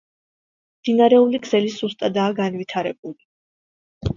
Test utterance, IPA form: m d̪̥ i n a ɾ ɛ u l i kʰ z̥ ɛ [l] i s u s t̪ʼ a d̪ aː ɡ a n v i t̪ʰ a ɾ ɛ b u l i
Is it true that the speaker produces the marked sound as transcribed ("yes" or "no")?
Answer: yes